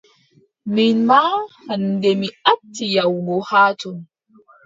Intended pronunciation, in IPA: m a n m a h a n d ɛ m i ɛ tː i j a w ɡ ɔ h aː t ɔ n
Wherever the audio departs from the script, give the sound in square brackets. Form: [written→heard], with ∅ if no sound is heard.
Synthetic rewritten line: m [a→i] n m a h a n d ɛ m i [ɛ→a] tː i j a w ɡ ɔ h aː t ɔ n